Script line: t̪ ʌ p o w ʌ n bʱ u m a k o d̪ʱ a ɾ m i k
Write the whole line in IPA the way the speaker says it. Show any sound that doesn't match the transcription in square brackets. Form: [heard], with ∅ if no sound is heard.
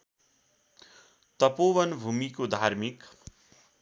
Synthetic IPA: t̪ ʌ p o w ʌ n bʱ u m [i] k o d̪ʱ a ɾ m i k

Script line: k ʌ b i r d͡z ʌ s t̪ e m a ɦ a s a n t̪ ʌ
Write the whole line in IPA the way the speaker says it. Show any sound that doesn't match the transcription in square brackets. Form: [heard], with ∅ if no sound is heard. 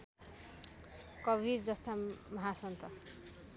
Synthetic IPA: k ʌ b i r d͡z ʌ s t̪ [a] m [ʌ] ɦ a s [ʌ] n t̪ ʌ

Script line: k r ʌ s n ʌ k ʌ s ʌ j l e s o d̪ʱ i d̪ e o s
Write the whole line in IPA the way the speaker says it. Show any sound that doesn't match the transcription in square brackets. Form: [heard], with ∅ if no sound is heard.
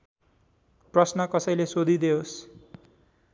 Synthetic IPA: [p] r ʌ s n ʌ k ʌ s ʌ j l e s o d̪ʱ i d̪ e o s

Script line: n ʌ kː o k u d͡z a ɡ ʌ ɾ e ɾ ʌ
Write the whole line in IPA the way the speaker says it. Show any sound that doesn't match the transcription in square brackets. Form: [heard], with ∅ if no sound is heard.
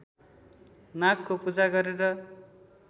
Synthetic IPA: n [a] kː o [p] u d͡z a ɡ ʌ ɾ e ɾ ʌ

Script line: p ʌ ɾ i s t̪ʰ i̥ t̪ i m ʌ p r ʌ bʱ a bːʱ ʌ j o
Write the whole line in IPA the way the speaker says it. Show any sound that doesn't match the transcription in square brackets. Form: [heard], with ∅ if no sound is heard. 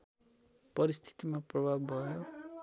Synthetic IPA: p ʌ ɾ i s t̪ʰ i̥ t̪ i m [a] p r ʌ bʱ a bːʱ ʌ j o

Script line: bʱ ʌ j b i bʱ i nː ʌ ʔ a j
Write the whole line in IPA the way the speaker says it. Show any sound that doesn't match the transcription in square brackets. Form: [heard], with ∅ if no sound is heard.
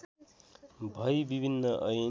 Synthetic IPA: bʱ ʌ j b i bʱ i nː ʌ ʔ [ʌ] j

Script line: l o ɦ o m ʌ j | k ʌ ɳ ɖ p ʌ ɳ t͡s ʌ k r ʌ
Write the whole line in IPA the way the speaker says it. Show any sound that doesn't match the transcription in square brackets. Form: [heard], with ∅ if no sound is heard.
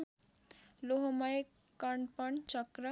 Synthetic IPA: l o ɦ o m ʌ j | k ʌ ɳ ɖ p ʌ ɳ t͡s ʌ k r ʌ

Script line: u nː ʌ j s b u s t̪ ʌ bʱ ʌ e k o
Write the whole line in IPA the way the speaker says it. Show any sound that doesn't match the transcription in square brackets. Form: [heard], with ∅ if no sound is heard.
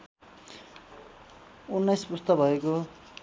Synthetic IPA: u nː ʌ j s [p] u s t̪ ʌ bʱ ʌ e k o

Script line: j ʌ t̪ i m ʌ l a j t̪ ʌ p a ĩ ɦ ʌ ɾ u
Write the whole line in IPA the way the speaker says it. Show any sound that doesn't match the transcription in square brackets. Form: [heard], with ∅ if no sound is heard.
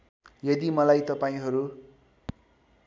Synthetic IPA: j ʌ [d̪] i m ʌ l a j t̪ ʌ p a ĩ ɦ ʌ ɾ u

